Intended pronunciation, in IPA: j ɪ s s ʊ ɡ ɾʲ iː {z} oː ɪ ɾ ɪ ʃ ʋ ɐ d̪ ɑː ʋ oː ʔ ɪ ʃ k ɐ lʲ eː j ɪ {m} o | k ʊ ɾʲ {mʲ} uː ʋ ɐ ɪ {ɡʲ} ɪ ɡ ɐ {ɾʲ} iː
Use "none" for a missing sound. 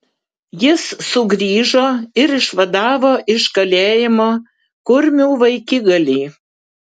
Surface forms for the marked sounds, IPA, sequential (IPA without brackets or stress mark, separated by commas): ʒ, m, mʲ, kʲ, lʲ